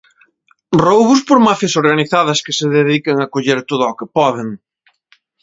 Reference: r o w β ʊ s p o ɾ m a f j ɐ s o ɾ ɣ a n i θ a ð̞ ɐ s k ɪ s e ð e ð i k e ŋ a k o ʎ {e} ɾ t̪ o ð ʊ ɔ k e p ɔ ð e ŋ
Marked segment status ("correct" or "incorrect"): correct